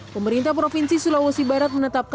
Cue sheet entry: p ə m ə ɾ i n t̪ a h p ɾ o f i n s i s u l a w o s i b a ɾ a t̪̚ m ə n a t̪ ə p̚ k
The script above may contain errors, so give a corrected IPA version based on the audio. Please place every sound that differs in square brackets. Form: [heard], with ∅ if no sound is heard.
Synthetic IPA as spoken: p ə m ə ɾ i n t̪ a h p ɾ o f i n s i s u l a w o s i b a ɾ a t̪̚ m ə n [ə] t̪ [a] p̚ k